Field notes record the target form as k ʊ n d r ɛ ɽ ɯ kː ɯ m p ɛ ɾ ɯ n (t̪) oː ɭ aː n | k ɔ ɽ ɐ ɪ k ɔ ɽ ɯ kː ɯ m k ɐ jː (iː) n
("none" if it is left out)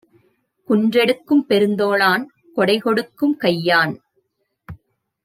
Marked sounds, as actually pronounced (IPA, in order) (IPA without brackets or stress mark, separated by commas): d̪, aː